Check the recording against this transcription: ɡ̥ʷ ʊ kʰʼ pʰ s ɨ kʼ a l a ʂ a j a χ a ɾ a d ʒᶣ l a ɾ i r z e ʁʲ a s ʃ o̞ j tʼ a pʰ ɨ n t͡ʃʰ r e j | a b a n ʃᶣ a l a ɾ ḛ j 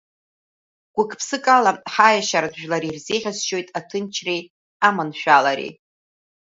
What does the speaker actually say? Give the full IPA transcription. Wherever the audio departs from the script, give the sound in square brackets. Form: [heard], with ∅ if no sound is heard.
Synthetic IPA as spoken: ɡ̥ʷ ʊ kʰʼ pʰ s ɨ kʼ a l a [ħ] a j a [ʃ] a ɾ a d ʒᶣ l a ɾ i r z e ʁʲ a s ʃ o̞ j tʼ a [tʰ] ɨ n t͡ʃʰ r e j | a [m] a n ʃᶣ a l a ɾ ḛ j